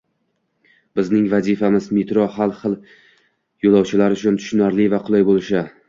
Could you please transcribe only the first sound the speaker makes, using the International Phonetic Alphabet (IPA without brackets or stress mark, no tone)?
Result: b